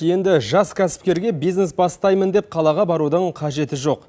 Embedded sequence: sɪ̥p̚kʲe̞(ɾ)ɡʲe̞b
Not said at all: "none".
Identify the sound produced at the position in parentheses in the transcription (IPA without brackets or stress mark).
ɾ